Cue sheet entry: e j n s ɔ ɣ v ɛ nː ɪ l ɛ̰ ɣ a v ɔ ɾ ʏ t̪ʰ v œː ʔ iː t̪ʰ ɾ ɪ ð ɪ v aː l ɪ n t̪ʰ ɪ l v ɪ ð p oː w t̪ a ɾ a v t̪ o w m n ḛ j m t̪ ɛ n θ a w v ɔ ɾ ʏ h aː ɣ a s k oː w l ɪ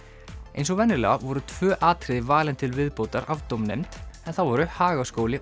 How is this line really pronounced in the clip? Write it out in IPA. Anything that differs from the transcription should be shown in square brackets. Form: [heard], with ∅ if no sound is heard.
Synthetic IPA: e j n s ɔ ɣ v ɛ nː ɪ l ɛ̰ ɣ a v ɔ ɾ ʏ t̪ʰ v œː ʔ [aː] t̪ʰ ɾ ɪ ð ɪ v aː l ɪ n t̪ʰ ɪ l v ɪ ð p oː w t̪ a ɾ a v t̪ o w m n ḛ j m t̪ ɛ n θ a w v ɔ ɾ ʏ h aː ɣ a s k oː w l ɪ